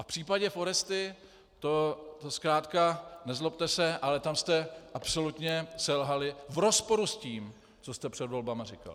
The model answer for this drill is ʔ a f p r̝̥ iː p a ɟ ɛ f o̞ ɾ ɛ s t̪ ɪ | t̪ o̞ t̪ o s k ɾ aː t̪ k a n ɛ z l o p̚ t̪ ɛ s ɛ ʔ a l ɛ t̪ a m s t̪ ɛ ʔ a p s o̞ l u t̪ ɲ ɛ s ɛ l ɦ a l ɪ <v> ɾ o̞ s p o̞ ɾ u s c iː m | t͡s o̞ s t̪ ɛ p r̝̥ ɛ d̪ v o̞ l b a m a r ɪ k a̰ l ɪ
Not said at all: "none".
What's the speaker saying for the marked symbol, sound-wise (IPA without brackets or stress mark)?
v